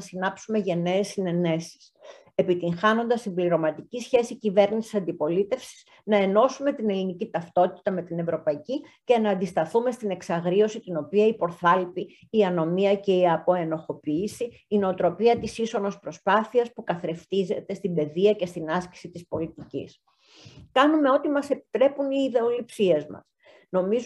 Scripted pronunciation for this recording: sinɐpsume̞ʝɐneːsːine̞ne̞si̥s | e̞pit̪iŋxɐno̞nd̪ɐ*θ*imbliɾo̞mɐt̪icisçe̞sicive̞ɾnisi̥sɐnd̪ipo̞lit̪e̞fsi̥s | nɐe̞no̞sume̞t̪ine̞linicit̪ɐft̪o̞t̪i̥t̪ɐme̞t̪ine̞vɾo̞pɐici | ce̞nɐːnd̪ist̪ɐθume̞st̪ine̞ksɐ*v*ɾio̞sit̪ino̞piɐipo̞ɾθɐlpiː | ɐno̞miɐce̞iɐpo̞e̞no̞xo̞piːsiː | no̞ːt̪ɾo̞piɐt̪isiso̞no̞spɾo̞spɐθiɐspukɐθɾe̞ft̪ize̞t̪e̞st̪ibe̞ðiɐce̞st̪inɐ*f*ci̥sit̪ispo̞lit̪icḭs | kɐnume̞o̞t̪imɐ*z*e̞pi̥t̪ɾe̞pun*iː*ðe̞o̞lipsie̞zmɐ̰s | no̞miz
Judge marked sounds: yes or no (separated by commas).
no, no, no, no, yes